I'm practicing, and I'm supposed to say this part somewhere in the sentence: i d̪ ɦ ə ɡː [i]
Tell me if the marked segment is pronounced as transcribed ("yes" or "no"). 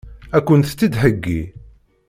yes